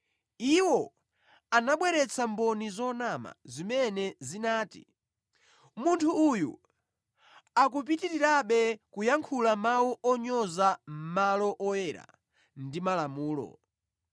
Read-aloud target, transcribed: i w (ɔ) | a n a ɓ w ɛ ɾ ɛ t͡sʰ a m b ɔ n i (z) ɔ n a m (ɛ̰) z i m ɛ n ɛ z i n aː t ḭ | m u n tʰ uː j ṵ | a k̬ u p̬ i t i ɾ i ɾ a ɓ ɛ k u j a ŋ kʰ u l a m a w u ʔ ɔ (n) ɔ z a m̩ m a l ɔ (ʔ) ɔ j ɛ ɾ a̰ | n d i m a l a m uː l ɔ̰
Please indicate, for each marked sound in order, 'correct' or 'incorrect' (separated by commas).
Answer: correct, correct, incorrect, incorrect, correct